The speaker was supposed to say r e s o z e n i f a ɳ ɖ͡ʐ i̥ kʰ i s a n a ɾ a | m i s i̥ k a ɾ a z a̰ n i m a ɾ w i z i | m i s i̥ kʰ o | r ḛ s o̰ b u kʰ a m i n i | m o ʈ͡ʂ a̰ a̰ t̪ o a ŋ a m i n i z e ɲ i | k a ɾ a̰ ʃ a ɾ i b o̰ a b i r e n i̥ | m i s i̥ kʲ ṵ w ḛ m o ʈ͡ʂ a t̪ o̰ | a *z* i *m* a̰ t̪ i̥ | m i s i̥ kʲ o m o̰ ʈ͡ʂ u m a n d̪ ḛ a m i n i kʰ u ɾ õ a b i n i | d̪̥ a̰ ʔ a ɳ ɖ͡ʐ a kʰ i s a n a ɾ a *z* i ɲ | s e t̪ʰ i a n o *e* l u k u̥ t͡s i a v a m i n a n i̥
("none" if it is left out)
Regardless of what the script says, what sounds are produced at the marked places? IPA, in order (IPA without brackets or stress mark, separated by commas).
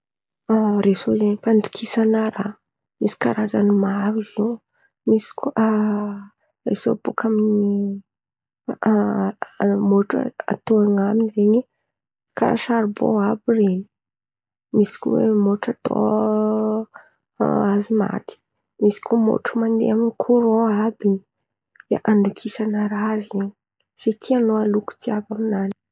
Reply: z, m, z, a